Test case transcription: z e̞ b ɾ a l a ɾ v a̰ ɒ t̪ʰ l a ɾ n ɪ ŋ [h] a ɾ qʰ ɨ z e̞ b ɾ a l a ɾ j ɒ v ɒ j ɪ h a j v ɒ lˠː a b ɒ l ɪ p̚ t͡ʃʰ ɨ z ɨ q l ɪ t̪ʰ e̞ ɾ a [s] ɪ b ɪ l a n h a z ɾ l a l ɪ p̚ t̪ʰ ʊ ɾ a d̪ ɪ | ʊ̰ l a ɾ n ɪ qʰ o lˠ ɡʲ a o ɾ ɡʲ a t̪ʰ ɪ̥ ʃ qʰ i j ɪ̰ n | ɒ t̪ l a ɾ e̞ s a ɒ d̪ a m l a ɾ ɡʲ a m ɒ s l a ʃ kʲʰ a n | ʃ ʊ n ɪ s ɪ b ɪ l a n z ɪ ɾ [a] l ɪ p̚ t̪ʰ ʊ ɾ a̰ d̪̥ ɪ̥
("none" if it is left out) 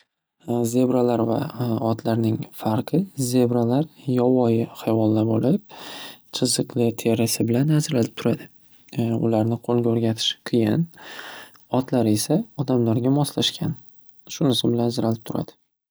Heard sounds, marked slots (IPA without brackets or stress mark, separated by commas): f, s, a